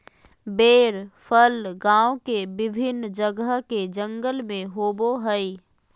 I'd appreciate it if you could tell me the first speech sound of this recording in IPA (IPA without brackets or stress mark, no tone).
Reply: b